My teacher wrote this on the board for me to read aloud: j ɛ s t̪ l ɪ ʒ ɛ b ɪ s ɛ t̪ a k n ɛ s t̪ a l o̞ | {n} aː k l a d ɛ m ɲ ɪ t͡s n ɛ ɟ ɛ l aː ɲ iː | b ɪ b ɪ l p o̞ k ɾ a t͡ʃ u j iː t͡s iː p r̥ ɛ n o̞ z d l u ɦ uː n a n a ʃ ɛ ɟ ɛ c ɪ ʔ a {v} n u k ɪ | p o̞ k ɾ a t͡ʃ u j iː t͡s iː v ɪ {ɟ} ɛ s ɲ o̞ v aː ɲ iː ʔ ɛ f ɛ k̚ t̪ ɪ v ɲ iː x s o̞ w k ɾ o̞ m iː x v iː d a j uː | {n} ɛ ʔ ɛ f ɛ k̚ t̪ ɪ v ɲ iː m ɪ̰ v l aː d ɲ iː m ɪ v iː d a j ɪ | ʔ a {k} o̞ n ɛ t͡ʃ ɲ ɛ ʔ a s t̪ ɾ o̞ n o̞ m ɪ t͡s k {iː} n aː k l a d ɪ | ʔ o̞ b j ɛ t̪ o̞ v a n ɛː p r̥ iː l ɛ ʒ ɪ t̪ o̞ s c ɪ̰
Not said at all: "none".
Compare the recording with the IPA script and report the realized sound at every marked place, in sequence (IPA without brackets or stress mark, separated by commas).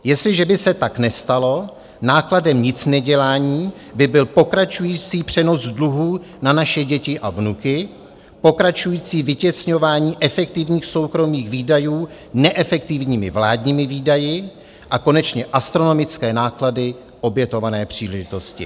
n, v, c, n, k, ɛː